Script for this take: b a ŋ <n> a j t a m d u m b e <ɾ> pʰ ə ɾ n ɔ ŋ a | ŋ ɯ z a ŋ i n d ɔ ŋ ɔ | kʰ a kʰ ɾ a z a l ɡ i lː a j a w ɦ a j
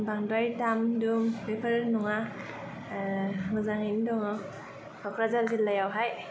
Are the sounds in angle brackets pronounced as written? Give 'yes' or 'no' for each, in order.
no, no

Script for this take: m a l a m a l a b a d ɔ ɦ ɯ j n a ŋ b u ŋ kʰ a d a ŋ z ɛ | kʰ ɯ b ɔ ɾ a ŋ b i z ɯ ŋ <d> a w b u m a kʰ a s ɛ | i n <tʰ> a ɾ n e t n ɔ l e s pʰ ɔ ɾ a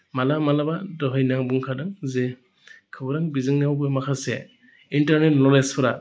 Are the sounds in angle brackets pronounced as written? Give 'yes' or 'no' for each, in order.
no, no

